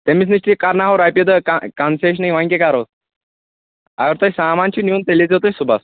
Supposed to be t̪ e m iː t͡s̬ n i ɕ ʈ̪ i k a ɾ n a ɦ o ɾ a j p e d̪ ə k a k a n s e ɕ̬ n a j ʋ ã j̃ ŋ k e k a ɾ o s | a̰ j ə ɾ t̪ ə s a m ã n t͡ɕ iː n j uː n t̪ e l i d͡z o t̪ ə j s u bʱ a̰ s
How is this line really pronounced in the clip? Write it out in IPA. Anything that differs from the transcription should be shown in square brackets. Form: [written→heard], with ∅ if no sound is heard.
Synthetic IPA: t̪ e m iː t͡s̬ n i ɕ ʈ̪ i k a ɾ n a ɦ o ɾ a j p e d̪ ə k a k a n s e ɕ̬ n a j ʋ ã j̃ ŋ k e k a ɾ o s | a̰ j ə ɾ t̪ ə s a m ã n t͡ɕ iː n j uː n t̪ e l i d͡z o t̪ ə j s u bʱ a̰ s

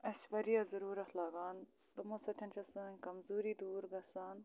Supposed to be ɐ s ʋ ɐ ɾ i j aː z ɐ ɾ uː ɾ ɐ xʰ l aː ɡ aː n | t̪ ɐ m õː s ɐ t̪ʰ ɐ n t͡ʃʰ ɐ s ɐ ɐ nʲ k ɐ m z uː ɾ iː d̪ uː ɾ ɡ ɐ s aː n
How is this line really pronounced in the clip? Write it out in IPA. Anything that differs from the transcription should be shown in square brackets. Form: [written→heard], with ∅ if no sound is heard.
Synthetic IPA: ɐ s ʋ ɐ ɾ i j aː z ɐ ɾ uː ɾ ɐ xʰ l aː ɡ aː n | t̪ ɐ m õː s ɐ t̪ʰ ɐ n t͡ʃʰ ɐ s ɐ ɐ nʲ k ɐ m z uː ɾ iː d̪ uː ɾ ɡ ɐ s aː n

